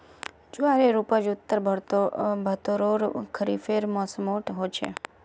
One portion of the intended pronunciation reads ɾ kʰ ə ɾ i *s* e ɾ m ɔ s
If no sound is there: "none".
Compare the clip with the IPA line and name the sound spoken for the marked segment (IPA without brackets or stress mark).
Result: f